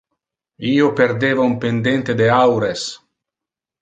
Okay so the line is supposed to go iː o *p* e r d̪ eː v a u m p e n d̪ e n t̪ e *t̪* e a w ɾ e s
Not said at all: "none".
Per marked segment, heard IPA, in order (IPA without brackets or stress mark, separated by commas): p, d̪